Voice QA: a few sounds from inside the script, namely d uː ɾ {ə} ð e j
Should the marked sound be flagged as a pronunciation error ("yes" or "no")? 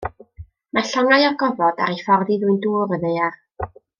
no